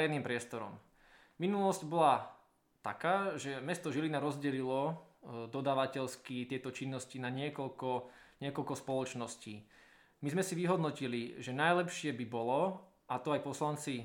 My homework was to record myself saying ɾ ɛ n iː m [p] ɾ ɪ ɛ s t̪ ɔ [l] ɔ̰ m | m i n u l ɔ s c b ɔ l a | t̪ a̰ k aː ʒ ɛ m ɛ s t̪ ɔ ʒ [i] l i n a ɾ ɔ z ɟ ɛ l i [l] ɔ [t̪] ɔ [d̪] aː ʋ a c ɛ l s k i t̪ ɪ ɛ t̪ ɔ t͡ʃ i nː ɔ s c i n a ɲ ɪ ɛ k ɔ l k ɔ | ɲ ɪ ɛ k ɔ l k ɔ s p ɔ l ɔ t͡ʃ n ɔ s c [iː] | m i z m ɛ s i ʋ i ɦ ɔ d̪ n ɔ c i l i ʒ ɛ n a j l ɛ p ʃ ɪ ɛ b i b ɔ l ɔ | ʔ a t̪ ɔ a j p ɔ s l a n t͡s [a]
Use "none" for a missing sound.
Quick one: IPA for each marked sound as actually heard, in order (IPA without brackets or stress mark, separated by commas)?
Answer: p, ɾ, i, l, d̪, d̪, iː, i